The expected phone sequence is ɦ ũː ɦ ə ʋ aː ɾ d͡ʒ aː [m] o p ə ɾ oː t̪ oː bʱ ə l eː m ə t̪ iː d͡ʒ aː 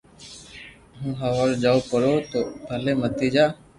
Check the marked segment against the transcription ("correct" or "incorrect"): incorrect